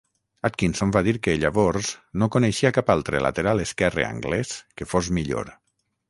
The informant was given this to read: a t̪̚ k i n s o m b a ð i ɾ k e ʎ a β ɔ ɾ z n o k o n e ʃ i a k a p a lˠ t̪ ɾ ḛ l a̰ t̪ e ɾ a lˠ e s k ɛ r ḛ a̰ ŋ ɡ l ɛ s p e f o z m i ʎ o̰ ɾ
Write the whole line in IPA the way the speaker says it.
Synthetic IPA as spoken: a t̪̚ k i n s o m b a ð i ɾ k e ʎ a β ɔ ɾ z n o k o n e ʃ i a k a p a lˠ t̪ ɾ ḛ l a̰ t̪ e ɾ a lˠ e s k ɛ r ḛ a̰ ŋ ɡ l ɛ s k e f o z m i ʎ o̰ ɾ